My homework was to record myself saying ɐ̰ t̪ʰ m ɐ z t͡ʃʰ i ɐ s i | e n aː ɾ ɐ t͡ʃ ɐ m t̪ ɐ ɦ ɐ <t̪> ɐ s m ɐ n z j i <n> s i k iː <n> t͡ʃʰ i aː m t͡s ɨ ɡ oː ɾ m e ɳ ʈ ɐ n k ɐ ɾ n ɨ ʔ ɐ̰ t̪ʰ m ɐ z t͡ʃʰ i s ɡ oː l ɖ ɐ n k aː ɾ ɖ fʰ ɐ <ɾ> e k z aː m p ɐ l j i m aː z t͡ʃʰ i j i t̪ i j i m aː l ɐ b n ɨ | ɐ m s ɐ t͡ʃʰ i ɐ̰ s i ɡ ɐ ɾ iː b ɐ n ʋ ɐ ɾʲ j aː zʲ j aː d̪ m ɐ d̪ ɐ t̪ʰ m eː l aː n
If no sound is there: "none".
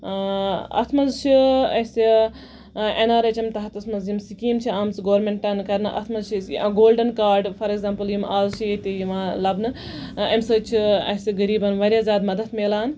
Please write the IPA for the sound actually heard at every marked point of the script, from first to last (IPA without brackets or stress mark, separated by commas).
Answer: t̪, m, m, ɾ